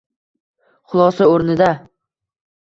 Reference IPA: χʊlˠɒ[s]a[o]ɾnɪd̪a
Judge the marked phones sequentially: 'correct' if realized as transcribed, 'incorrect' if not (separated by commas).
correct, correct